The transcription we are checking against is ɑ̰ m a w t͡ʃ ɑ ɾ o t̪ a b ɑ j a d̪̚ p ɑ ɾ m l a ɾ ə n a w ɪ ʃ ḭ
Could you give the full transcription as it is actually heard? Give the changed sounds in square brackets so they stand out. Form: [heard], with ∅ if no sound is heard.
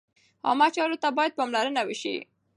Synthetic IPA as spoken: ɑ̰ m a [∅] t͡ʃ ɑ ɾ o t̪ a b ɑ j a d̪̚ p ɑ [∅] m l a ɾ ə n a w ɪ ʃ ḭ